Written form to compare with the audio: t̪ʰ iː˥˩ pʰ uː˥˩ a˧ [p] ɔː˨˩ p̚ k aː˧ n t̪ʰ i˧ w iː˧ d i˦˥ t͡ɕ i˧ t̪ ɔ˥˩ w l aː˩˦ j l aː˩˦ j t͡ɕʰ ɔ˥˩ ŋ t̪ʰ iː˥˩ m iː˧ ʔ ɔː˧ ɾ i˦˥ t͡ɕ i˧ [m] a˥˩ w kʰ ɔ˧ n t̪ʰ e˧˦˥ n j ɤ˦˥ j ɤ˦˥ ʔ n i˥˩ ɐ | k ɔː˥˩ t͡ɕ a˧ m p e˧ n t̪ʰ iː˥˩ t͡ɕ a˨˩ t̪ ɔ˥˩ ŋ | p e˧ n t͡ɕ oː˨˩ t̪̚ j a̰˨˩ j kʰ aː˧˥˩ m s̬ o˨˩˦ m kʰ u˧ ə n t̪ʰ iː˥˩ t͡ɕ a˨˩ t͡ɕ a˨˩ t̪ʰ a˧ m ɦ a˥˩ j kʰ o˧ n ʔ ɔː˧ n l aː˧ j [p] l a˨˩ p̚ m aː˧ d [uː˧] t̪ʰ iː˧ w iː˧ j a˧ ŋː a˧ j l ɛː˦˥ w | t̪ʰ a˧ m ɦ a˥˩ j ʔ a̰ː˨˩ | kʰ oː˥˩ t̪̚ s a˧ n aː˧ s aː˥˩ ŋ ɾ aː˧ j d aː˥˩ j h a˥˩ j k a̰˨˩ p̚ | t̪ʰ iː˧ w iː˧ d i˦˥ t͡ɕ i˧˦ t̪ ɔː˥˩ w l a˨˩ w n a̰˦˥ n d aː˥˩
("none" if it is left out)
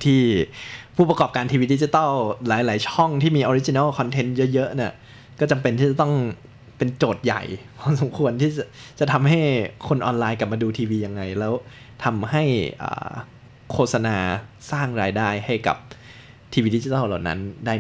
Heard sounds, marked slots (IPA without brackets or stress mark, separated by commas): k, n, k, uː˧